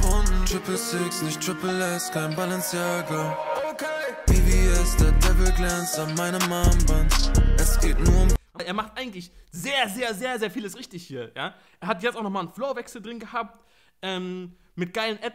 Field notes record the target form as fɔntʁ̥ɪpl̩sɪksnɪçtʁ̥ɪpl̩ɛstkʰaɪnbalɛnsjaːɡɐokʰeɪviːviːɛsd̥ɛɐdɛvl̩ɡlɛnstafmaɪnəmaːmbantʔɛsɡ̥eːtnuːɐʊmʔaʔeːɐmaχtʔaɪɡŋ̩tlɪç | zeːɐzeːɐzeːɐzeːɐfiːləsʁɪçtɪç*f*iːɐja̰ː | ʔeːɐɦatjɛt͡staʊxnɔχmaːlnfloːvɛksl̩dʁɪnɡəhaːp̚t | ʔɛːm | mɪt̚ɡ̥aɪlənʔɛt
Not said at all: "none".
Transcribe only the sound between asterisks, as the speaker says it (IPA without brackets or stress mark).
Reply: h